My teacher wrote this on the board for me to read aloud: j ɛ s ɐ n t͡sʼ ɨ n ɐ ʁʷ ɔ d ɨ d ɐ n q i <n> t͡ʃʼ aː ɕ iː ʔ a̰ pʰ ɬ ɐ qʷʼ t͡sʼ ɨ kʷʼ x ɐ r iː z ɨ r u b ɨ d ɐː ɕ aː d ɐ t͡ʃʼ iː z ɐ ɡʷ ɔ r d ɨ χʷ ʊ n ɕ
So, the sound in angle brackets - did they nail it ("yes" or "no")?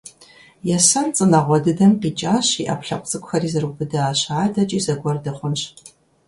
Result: no